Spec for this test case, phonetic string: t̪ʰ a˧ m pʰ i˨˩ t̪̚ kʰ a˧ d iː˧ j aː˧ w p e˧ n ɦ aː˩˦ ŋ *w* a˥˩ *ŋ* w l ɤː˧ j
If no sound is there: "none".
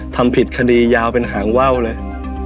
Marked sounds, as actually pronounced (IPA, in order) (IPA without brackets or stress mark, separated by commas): w, none